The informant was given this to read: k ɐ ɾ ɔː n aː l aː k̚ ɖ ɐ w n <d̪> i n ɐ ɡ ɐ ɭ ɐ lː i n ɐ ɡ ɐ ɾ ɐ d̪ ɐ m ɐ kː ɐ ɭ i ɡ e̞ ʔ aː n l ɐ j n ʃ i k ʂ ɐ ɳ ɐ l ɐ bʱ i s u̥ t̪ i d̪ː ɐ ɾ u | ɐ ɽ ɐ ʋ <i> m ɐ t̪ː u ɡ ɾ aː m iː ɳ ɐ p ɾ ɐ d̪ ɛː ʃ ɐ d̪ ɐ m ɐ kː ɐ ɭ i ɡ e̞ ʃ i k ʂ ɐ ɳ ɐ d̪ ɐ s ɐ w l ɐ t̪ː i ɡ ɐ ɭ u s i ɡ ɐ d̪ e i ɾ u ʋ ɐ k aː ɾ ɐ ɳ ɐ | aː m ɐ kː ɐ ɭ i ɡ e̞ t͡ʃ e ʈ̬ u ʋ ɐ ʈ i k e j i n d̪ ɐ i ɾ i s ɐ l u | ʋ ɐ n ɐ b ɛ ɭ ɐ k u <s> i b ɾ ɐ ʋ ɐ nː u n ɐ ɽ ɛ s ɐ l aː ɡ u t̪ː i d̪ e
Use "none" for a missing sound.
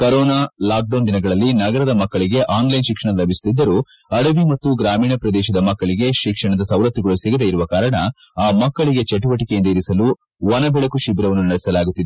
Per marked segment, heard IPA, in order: d̪, i, ʃ

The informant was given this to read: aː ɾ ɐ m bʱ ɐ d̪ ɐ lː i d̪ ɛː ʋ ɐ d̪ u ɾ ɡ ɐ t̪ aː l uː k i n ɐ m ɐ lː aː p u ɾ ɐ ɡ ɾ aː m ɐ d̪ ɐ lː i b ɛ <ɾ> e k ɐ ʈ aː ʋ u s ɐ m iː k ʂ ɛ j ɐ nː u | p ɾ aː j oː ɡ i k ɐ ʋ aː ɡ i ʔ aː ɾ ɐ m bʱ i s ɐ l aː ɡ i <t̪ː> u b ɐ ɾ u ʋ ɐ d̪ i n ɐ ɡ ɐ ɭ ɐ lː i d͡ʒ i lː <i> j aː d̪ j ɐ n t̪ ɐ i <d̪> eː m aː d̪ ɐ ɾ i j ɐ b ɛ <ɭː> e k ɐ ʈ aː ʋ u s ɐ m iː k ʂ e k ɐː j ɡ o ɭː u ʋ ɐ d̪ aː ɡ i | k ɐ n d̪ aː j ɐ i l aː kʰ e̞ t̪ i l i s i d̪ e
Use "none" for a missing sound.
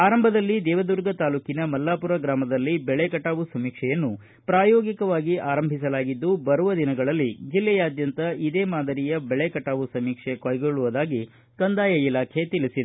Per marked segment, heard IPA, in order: ɭ, d̪ː, ɛ, d̪, ɭ

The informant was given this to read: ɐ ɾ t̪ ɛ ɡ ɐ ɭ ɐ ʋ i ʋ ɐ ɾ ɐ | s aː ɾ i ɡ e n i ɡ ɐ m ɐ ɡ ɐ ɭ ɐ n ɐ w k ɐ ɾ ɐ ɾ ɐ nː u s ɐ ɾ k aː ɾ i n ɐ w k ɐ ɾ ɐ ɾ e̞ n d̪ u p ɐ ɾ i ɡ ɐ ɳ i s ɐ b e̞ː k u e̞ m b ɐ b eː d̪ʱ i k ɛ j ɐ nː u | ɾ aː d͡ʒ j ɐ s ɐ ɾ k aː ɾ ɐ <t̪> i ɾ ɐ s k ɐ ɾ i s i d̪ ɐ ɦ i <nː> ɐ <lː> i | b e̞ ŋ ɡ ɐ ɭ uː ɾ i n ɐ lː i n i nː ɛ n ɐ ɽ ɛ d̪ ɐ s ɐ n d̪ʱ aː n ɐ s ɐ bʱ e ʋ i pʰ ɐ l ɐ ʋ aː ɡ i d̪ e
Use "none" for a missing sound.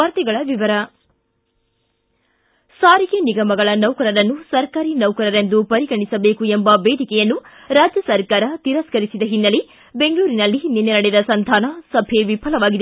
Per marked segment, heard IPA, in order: t̪, nː, l

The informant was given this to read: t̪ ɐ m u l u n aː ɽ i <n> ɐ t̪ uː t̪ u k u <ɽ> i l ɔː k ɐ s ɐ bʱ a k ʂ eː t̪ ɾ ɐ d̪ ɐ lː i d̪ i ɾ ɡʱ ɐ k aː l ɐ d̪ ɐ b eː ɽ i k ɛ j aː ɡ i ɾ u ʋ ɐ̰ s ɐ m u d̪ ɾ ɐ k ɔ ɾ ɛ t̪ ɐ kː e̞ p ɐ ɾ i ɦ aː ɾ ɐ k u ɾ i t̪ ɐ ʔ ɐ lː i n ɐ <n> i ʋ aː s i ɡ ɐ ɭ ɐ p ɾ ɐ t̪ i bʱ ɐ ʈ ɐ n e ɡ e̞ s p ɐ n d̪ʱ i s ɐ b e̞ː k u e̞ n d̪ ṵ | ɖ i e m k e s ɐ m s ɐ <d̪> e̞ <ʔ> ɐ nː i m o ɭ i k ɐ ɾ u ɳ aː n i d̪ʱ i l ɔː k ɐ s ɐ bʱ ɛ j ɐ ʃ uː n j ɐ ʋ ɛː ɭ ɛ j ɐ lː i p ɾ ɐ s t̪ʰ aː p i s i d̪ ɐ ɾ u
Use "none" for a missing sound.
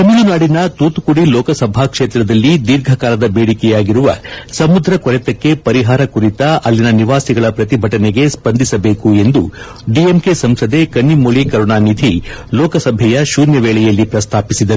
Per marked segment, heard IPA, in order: n, ɽ, n, d̪, k

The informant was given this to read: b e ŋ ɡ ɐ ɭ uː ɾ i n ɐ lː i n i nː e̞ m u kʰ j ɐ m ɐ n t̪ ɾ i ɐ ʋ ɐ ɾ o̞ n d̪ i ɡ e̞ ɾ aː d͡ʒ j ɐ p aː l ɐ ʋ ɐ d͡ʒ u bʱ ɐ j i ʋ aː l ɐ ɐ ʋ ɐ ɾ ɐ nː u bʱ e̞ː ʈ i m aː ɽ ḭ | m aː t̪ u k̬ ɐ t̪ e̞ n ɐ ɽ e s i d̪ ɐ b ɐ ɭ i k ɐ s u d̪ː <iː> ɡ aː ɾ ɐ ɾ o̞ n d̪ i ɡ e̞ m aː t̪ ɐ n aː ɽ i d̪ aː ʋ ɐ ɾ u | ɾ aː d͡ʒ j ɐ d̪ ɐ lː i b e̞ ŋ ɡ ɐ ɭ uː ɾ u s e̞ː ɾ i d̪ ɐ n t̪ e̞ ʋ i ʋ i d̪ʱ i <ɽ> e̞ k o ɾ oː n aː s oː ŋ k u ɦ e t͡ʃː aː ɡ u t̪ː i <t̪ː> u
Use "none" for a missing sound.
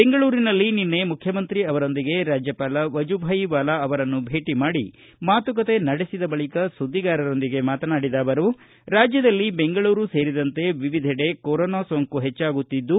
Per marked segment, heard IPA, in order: i, ɽ, d̪ː

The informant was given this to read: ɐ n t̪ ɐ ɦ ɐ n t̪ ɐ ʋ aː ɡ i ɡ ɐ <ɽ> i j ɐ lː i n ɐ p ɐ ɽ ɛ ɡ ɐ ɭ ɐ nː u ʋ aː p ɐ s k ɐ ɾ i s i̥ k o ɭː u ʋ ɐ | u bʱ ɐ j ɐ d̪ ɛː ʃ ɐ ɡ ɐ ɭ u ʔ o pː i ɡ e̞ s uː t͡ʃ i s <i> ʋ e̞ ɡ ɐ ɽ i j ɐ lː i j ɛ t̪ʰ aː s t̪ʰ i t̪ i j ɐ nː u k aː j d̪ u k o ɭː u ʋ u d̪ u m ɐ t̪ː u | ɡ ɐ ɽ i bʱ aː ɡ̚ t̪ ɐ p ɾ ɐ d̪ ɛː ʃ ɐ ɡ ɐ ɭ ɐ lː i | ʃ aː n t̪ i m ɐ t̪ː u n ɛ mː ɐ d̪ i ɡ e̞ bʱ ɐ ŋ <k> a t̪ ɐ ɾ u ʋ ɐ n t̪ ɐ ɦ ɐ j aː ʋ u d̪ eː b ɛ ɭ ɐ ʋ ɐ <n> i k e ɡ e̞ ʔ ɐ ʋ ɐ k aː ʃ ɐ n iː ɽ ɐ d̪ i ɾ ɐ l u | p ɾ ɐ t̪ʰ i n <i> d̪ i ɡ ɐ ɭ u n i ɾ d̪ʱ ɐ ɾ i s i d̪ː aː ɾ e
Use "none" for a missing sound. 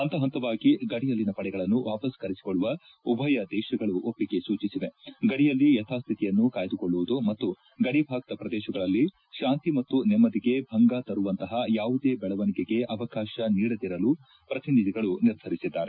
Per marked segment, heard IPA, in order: ɽ, i, ɡ, n, i

